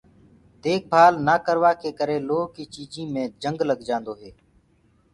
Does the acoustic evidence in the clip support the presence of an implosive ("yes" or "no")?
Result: no